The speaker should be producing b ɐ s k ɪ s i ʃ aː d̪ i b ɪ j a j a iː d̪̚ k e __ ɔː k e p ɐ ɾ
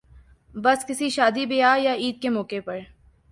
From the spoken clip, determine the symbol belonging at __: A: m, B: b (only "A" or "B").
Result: A